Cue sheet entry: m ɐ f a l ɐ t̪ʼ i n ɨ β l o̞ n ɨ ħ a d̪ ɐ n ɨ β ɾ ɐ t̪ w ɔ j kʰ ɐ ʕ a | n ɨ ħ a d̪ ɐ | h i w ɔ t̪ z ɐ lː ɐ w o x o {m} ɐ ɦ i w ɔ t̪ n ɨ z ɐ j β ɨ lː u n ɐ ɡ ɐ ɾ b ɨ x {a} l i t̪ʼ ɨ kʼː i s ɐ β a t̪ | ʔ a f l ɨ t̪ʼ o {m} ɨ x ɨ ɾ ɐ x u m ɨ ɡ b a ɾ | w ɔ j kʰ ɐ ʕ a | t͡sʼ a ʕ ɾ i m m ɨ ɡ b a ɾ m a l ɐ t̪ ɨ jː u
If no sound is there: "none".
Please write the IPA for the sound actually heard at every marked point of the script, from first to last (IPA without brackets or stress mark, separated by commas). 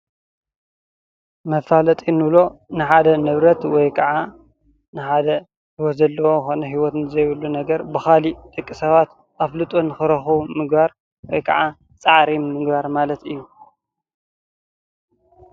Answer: n, a, n